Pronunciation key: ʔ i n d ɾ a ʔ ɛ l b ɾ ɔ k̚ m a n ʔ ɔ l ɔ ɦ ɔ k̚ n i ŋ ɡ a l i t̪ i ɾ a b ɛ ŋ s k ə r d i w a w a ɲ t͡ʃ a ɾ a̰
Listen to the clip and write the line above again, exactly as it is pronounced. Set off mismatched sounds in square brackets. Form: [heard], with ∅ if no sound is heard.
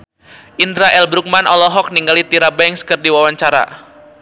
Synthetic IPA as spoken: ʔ i n d ɾ a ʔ ɛ l b ɾ [u] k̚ m a n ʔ ɔ l ɔ ɦ ɔ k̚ n i ŋ ɡ a l i t̪ i ɾ a b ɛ ŋ s k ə r d i w a w a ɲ t͡ʃ a ɾ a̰